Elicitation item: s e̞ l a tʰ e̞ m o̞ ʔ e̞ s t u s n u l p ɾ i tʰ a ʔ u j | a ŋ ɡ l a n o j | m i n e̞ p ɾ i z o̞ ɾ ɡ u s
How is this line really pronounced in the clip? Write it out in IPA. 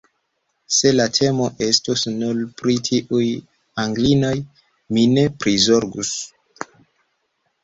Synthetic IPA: s e̞ l a tʰ e̞ m o̞ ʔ e̞ s t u s n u l p ɾ i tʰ i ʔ u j | a ŋ ɡ l i n o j | m i n e̞ p ɾ i z o̞ ɾ ɡ u s